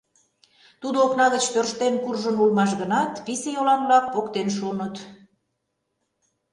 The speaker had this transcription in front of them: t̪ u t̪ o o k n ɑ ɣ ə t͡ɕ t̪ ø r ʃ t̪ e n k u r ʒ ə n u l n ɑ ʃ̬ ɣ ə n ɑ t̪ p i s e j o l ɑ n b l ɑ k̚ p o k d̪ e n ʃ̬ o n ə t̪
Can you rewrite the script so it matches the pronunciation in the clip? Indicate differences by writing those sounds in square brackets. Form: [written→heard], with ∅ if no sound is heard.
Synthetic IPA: t̪ u [t̪→d̪] o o k n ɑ ɣ ə t͡ɕ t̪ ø r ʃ t̪ e n k u r ʒ ə n u l [n→m] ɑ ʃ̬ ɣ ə n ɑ t̪ p i s e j o l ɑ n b l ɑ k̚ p o k [d̪→t̪] e n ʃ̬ o n ə t̪